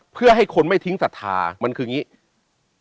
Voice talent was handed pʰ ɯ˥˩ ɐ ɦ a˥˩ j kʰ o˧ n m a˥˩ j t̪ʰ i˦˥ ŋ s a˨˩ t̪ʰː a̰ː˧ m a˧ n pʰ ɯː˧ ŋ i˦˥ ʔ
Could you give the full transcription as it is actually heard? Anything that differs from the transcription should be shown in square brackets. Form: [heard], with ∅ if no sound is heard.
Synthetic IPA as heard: pʰ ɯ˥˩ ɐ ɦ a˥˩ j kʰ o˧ n m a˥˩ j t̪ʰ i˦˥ ŋ s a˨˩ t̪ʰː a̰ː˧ m a˧ n [kʰ] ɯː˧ ŋ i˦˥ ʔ